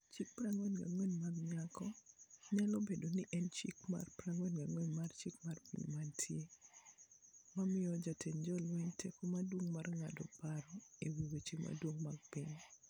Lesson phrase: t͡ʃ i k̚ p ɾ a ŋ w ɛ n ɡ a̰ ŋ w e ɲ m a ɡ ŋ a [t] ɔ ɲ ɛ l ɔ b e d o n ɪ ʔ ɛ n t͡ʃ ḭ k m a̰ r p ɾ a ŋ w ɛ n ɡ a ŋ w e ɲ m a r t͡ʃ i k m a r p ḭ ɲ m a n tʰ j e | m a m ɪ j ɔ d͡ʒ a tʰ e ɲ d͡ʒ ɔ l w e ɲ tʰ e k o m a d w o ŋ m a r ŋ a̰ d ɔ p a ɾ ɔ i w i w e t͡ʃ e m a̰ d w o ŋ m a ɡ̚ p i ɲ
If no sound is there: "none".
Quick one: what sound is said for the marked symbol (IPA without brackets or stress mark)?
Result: k